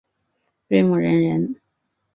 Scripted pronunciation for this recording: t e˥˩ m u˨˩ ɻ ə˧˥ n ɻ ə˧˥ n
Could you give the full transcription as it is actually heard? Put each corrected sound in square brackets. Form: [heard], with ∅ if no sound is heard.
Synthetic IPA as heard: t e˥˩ m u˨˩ ɻ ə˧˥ n ɻ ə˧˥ n